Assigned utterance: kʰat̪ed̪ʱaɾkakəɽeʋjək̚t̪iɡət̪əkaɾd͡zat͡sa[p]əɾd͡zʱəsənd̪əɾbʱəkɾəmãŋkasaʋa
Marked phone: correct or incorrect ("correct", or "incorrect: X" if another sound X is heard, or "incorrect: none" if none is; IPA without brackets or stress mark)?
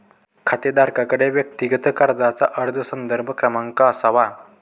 incorrect: ʔ